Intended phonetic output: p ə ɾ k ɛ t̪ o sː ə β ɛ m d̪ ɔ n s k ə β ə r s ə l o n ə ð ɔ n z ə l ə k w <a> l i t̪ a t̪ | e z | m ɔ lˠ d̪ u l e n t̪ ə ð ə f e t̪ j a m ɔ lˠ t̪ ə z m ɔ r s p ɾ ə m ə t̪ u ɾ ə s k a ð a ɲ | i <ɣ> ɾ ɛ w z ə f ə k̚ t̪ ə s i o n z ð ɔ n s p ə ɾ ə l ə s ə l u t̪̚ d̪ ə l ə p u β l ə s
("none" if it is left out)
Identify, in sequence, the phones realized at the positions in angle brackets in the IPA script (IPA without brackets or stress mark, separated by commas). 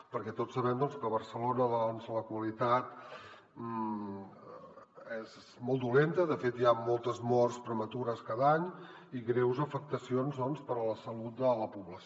ə, ɣ